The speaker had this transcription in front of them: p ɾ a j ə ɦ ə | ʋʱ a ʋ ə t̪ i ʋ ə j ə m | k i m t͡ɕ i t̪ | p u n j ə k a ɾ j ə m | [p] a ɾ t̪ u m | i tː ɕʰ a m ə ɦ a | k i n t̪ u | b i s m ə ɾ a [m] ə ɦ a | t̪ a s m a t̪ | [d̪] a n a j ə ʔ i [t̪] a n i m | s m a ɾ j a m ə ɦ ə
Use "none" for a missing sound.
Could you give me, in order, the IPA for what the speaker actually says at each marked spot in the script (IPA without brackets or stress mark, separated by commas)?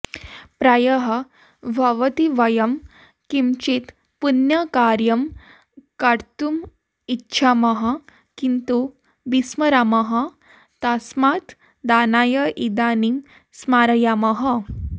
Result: k, m, d̪, d̪